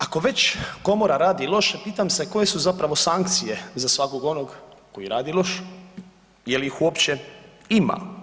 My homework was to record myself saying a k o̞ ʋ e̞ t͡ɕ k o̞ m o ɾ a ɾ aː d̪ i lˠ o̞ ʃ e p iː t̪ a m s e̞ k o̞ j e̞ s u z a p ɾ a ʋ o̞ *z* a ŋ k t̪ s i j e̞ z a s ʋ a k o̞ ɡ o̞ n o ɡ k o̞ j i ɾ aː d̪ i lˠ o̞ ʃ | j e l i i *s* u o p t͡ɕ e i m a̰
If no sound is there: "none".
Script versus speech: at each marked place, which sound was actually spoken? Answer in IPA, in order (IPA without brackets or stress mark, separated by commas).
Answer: s, x